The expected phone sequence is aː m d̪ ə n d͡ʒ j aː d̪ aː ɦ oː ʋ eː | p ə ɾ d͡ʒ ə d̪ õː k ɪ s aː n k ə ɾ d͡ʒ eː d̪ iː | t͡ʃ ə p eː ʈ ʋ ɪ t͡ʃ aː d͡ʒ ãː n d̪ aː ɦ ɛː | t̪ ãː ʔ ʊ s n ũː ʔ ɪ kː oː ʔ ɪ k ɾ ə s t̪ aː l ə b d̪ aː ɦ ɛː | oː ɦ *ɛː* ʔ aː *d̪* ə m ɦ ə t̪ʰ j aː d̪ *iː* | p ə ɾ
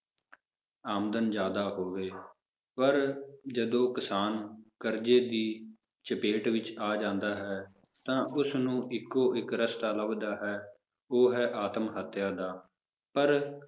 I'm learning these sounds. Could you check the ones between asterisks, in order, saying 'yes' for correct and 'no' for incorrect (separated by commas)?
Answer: yes, no, no